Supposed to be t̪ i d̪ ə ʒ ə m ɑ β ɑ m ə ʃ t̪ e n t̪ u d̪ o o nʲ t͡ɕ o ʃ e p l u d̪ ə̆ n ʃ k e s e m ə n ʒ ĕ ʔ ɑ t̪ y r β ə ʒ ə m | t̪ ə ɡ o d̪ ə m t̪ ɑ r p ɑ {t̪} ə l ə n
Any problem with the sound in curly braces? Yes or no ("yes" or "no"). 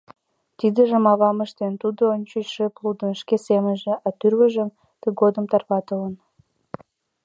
no